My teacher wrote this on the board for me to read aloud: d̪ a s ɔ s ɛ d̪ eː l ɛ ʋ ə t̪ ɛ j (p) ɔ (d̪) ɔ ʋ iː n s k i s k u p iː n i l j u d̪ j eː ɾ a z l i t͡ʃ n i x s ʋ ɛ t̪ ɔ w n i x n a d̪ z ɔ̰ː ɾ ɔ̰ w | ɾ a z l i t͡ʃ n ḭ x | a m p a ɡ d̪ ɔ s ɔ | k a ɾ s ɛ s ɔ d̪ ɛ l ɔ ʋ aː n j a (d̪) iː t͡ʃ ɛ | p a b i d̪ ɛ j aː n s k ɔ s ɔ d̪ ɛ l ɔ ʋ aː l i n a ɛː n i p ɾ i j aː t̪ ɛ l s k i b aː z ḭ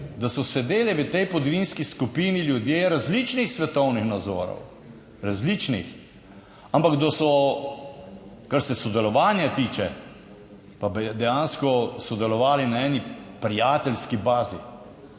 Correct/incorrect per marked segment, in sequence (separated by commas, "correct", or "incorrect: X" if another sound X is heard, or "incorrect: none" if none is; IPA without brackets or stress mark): correct, correct, incorrect: t̪